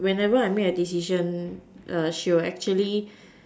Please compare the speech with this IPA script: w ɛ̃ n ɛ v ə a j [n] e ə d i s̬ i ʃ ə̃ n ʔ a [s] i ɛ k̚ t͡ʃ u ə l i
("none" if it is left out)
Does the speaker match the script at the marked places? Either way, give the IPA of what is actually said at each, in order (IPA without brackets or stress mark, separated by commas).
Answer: m, ʃ